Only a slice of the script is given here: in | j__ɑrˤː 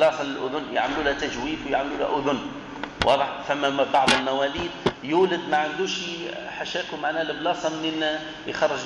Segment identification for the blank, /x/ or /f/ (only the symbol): x